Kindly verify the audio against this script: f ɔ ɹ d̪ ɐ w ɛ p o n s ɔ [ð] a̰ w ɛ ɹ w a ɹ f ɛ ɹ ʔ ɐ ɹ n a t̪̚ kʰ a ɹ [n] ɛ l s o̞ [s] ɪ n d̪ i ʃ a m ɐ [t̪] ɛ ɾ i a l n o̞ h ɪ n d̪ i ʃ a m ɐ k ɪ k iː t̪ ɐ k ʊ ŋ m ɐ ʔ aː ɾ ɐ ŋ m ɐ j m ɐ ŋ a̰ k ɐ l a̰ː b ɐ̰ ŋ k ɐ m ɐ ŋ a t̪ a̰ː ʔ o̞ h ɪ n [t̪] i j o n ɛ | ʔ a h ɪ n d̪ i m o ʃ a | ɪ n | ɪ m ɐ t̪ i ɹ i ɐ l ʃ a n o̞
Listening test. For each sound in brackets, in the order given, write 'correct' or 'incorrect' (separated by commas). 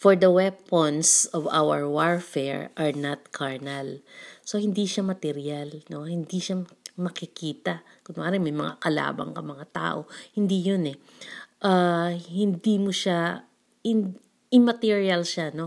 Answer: incorrect, correct, incorrect, correct, incorrect